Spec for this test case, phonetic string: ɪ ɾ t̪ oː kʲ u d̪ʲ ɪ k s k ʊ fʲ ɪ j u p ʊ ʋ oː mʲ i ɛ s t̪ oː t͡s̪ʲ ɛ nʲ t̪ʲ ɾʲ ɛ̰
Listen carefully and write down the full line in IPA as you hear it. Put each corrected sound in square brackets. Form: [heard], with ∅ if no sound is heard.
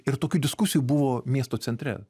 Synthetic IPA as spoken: ɪ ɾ t̪ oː kʲ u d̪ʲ ɪ [∅] s k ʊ [sʲ] ɪ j u [b] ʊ ʋ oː mʲ i ɛ s t̪ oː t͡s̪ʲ ɛ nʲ t̪ʲ ɾʲ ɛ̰